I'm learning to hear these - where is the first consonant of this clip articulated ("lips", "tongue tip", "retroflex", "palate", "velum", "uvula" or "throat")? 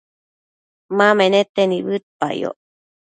lips